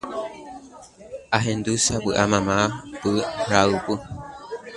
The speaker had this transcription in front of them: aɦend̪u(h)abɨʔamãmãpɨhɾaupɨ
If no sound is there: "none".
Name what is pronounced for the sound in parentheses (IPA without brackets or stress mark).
s